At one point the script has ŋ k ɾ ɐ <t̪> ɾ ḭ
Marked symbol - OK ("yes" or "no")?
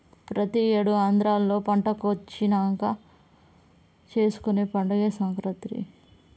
yes